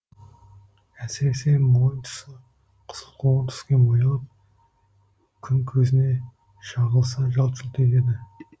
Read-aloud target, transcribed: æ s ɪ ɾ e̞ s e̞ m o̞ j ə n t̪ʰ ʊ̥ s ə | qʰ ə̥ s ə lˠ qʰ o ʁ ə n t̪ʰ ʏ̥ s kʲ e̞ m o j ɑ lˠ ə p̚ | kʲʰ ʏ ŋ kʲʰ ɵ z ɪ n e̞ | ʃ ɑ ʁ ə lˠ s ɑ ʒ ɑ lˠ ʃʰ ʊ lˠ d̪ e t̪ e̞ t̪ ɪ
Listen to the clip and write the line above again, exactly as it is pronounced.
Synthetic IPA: æ s ɪ ɾ e̞ s e̞ m o̞ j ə n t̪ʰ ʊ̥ s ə | qʰ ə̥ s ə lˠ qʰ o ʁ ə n t̪ʰ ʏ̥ s kʲ e̞ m o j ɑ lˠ ə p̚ | kʲʰ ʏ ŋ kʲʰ ɵ z ɪ n e̞ | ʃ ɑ ʁ ə lˠ s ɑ ʒ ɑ lˠ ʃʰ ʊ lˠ t̪ e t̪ e̞ d̪ ɪ